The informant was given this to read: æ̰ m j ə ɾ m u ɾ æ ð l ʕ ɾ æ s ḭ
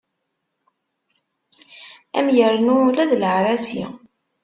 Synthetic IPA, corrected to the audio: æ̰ m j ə ɾ n u l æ ð l ʕ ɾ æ s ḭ